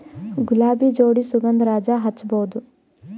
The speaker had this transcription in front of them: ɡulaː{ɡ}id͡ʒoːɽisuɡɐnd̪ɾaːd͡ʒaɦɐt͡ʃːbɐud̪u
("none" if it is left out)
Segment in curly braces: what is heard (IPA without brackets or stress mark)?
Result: b